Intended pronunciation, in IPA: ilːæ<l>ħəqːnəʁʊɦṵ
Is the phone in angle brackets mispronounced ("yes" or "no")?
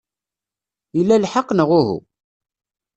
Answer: no